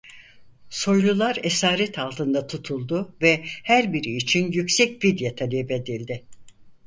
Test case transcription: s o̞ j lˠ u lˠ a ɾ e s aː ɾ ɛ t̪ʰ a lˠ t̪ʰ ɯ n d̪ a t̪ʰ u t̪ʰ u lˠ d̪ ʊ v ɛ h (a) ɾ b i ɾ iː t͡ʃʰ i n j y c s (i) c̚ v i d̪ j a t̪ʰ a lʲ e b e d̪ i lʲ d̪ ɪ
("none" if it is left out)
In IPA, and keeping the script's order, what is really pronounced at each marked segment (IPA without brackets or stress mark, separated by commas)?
æ, ɛ